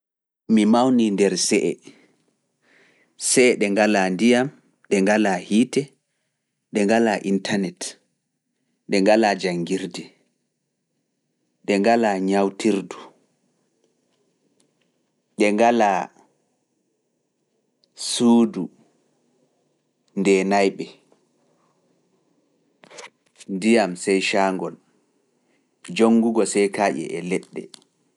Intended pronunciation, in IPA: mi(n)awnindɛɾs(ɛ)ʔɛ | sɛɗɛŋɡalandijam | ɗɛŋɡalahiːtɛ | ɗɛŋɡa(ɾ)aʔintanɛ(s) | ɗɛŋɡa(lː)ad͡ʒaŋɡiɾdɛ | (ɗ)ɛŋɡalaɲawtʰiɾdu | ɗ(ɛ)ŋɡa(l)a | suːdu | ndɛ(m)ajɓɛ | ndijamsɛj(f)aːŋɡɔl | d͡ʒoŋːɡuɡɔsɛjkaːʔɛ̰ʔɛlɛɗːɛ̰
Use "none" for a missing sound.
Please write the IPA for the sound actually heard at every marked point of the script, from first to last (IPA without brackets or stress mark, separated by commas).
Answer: m, ɛ, l, t, l, ɗ, ɛ, l, n, ʃ